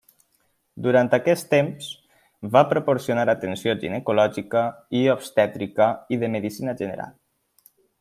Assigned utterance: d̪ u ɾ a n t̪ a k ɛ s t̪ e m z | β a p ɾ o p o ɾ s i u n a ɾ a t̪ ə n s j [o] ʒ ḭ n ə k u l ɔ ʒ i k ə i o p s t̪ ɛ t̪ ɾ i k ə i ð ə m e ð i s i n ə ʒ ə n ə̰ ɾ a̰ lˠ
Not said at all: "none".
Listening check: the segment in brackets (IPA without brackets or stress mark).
o